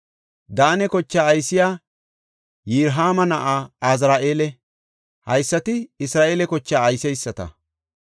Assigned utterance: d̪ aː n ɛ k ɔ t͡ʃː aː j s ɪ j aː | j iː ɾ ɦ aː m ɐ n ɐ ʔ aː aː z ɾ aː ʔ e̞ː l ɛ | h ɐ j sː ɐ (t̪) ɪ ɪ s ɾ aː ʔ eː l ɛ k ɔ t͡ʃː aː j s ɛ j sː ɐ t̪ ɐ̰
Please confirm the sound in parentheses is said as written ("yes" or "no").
yes